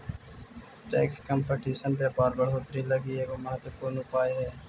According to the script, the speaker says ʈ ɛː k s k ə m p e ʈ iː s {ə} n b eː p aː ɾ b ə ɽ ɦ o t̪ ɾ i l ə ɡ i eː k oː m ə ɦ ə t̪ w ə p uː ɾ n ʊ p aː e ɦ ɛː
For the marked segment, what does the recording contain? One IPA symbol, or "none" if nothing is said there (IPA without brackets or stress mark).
ə